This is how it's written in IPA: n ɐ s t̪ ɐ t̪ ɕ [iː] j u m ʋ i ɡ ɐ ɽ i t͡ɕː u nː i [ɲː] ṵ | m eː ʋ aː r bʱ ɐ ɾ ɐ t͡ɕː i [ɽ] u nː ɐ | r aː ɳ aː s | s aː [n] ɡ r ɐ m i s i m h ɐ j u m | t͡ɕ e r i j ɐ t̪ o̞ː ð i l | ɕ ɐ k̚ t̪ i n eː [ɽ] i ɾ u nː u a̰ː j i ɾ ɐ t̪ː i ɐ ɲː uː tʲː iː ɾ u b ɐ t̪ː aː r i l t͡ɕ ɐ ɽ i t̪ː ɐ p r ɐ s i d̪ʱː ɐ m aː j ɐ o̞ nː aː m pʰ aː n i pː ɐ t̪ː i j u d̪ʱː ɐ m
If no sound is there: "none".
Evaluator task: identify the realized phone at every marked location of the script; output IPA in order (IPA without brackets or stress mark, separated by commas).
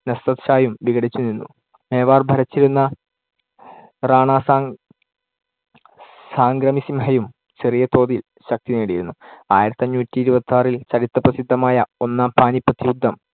aː, nː, ɾ, ŋ, ɽ